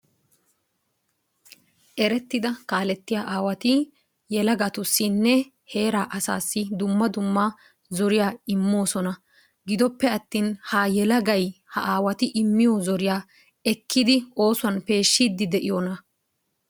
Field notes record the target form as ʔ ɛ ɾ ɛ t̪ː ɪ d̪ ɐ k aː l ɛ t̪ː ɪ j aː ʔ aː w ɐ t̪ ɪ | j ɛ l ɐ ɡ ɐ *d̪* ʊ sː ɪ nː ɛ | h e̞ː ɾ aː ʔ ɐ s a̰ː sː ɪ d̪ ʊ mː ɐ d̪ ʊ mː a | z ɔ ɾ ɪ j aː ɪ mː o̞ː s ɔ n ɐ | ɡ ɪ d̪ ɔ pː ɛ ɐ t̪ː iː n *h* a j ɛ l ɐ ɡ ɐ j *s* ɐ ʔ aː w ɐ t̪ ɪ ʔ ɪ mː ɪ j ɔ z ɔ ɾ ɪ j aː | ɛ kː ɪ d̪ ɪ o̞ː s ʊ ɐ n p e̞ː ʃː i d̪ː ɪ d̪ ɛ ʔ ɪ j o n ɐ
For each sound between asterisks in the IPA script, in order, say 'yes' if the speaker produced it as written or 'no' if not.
no, yes, no

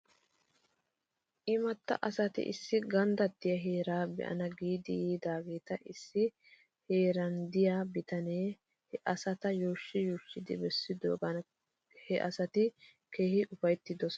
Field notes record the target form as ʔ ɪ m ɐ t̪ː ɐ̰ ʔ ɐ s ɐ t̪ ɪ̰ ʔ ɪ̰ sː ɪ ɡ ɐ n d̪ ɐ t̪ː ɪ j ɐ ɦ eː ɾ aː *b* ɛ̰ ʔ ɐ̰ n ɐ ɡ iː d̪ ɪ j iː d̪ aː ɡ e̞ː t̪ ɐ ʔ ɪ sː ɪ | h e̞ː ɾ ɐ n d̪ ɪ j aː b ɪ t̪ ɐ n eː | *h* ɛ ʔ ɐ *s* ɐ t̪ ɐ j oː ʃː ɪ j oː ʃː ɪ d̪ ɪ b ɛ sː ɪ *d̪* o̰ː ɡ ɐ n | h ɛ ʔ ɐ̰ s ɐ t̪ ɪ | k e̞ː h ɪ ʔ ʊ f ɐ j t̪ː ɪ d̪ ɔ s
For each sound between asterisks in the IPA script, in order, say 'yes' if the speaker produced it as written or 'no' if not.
yes, yes, yes, yes

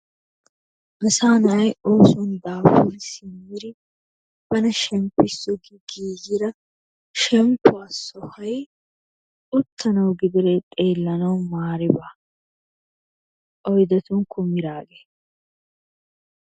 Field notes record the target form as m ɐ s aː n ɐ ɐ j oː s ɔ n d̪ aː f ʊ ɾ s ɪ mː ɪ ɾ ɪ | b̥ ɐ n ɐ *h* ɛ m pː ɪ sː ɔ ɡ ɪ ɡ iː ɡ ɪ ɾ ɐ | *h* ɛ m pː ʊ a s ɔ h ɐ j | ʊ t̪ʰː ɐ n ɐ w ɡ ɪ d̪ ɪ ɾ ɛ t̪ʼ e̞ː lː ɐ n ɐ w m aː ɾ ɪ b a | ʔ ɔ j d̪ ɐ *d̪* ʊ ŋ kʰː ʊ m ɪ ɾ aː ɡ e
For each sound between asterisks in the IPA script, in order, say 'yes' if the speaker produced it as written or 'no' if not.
no, no, no

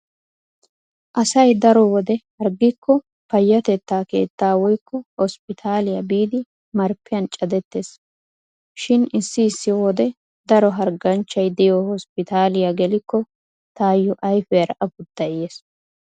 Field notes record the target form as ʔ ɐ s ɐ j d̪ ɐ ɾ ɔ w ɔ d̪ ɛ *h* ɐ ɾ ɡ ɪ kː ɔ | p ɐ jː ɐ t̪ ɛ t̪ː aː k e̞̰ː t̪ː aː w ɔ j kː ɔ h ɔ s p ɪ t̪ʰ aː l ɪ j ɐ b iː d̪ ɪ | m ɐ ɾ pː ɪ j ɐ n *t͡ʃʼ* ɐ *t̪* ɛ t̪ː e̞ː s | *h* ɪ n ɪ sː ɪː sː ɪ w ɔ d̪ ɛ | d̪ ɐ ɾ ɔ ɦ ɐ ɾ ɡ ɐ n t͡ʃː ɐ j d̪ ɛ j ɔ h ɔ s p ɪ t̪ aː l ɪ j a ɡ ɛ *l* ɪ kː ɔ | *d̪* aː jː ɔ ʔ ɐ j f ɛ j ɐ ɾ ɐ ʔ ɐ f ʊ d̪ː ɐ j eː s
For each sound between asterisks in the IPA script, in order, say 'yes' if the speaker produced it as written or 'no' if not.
yes, yes, no, no, yes, no

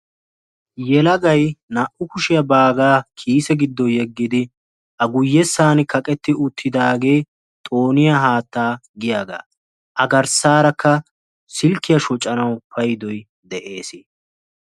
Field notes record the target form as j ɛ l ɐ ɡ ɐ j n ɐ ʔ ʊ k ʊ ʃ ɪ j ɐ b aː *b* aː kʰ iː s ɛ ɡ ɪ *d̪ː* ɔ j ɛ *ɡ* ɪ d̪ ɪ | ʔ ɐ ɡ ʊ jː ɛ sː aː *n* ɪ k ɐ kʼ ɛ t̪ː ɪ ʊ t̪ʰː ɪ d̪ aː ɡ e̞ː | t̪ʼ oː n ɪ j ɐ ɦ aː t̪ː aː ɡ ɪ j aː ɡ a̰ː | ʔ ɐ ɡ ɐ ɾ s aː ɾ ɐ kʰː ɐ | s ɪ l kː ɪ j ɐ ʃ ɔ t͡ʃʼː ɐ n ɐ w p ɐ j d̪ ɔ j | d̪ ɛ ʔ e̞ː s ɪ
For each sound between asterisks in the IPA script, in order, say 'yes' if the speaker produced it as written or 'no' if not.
no, yes, no, yes

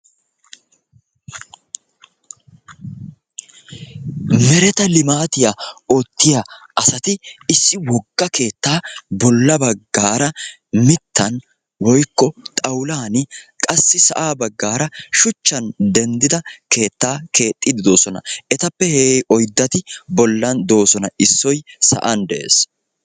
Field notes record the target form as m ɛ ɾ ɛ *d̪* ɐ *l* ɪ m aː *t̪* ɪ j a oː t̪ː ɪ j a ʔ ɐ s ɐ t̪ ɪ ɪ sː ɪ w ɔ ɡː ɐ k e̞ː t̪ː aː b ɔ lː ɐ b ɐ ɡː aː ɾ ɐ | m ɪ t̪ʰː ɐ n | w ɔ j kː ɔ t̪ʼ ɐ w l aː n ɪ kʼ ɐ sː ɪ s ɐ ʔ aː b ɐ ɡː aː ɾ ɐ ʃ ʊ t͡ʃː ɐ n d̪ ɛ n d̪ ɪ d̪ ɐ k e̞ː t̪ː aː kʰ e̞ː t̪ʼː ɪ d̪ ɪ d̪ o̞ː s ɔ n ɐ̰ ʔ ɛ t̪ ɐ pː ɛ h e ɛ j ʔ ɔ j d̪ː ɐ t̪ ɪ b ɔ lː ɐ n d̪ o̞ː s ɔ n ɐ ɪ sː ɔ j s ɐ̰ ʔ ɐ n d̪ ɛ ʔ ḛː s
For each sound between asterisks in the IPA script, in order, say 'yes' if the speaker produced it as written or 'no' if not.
no, yes, yes

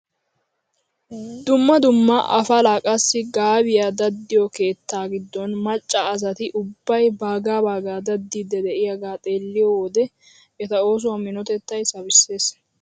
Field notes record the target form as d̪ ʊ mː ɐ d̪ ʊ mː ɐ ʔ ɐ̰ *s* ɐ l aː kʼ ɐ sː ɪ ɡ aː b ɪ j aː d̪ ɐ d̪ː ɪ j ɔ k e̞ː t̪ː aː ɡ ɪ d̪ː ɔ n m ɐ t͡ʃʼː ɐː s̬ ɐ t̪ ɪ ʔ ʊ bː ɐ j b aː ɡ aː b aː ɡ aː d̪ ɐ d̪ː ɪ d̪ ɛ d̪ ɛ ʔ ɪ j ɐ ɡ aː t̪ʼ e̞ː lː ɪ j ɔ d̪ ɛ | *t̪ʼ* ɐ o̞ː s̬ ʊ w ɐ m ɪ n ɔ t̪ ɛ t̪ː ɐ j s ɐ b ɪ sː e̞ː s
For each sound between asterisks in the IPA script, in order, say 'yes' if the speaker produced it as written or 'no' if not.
no, no

